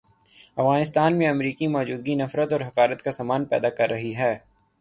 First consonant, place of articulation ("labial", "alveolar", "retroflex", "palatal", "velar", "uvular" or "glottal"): labial